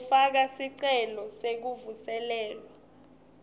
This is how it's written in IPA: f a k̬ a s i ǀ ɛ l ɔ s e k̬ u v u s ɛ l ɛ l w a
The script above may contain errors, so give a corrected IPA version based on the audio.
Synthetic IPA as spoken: f a k̬ a s i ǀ ɛ l ɔ s e k̬ u v u s ɛ l ɛː l w a

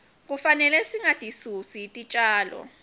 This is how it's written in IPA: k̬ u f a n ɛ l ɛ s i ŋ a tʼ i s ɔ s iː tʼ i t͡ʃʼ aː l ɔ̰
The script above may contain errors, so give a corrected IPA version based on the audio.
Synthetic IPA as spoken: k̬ u f a n ɛ l ɛ s i ŋ a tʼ i s u s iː tʼ i t͡ʃʼ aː l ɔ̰

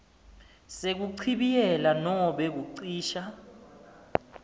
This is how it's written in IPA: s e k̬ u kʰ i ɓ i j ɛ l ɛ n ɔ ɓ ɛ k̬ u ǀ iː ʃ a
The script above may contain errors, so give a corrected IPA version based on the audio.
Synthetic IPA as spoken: s e k̬ u ǀʰ i ɓ i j ɛ l a n ɔ ɓ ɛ k̬ u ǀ iː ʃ a

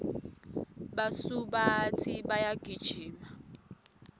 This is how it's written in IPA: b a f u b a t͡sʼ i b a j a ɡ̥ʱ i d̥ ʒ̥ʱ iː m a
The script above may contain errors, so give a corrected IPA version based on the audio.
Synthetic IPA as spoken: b a s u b a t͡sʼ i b a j a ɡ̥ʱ i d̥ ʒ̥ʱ iː m a

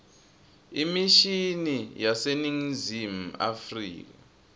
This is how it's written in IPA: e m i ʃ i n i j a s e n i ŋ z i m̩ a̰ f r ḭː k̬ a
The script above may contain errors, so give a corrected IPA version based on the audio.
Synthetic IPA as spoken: i m i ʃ i n i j a s e n i ŋ z i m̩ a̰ f r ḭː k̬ a

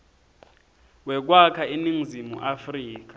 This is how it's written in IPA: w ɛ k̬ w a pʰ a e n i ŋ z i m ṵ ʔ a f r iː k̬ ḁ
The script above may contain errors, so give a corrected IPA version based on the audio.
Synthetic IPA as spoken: w ɛ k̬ w a kʰ a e n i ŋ z i m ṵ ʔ a f r iː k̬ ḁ

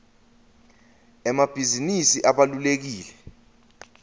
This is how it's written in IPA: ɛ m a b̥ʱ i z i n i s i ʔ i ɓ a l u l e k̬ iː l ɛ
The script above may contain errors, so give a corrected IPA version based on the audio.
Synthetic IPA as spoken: ɛ m a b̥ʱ i z i n i s i ʔ a ɓ a l u l e k̬ iː l ɛ

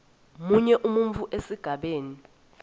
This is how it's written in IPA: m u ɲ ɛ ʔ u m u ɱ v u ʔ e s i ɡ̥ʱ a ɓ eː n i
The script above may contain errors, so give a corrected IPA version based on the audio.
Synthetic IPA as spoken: m u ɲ ɛ ʔ u m u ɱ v u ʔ e s i ɡ̥ʱ a ɓ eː n i

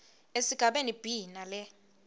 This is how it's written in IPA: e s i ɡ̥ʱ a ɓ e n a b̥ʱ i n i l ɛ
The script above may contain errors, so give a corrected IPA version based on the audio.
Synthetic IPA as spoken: e s i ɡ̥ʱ a ɓ e n i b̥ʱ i n a l ɛ

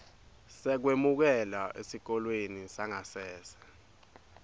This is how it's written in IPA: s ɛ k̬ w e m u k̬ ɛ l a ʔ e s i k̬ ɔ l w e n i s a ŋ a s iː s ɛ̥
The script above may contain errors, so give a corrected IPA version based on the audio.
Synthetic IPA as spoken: s ɛ k̬ w e m u k̬ ɛ l a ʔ e s i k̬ ɔ l w e n i s a ŋ a s ɛː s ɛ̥

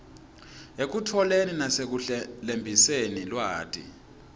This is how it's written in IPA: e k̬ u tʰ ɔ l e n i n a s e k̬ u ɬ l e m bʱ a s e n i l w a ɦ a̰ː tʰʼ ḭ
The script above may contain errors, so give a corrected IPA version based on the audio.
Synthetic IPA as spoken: e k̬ u tʰ ɔ l e n i n a s e k̬ u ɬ l e m bʱ i s e n i l w a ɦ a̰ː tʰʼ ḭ

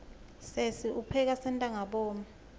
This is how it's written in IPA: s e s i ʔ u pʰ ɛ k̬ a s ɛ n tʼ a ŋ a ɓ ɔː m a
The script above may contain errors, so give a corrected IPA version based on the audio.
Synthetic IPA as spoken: s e s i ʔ u pʰ ɛ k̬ a s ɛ n tʼ a ŋ a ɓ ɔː m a

